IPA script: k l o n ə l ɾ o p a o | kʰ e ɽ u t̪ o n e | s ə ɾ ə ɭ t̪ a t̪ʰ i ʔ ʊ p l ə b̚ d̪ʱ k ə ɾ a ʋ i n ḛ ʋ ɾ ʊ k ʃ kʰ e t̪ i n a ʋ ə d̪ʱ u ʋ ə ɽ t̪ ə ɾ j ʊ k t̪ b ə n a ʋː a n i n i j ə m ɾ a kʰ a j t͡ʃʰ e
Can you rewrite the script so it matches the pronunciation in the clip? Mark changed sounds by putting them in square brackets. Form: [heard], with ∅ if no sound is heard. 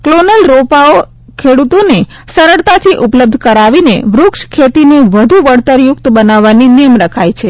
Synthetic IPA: k l o n ə l ɾ o p a o | kʰ e ɽ u t̪ o n e | s ə ɾ ə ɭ t̪ a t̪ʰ i ʔ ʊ p l ə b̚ d̪ʱ k ə ɾ a ʋ i n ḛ ʋ ɾ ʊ k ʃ kʰ e t̪ i n [e] ʋ ə d̪ʱ u ʋ ə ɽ t̪ ə ɾ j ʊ k t̪ b ə n a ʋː a n i n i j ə m ɾ [ə] kʰ a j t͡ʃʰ e